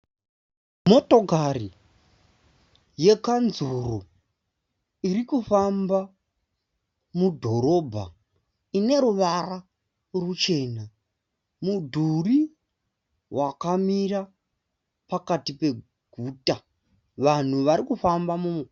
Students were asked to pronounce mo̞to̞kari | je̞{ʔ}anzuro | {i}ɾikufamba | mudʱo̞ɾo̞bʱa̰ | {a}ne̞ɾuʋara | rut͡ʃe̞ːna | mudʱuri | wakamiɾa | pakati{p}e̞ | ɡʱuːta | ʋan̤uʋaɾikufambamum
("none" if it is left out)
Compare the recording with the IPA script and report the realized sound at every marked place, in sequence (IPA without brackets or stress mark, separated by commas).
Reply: k, i, i, p